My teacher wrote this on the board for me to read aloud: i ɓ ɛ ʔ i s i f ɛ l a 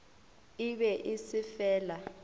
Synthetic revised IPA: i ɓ ɛ ʔ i s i f ɛː l a